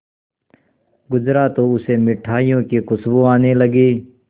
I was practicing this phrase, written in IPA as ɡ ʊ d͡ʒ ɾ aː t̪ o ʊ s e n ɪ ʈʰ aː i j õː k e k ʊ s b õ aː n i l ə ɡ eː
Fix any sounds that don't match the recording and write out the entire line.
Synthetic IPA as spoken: ɡ ʊ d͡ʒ ɾ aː t̪ o ʊ s e m ɪ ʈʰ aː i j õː k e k ʊ s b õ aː n e l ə ɡ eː